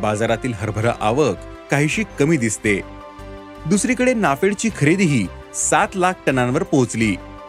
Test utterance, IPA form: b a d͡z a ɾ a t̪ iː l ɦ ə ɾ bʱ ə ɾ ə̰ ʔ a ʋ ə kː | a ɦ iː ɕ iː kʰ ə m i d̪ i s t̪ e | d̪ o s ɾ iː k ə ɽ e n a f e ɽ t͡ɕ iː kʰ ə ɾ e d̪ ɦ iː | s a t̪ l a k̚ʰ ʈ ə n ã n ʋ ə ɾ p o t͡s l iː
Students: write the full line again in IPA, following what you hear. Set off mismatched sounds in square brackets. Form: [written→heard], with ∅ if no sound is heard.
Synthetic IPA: b a d͡z a ɾ a t̪ iː l ɦ ə ɾ bʱ ə ɾ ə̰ ʔ a ʋ ə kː | a ɦ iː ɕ iː [kʰ→k] ə m [i→iː] d̪ i s t̪ e | d̪ [o→u] s ɾ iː k ə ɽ e n a f e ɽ t͡ɕ iː kʰ ə ɾ e d̪ ɦ iː | s a t̪ l a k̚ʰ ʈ ə n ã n ʋ ə ɾ p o t͡s l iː